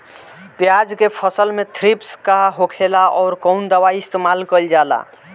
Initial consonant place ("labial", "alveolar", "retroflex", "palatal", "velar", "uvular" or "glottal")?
labial